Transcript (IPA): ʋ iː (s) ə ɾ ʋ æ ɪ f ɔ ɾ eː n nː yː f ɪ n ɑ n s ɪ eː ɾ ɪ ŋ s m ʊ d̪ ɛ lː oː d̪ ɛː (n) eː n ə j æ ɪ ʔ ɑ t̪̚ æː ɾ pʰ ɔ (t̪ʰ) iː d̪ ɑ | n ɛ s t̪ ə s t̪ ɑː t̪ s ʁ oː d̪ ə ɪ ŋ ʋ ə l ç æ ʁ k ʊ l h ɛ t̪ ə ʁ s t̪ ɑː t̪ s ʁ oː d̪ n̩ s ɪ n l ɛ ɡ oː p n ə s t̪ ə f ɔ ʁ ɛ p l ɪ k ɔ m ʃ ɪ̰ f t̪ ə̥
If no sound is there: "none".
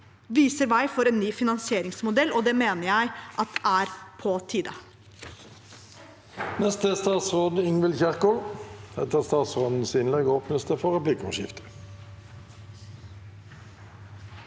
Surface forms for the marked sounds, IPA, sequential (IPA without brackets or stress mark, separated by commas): s, m, t̪ʰ